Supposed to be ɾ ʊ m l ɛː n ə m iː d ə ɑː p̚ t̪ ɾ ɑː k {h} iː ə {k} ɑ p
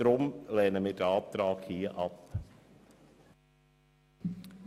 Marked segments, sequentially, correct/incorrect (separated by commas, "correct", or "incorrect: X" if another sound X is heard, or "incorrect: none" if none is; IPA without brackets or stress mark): correct, incorrect: ʔ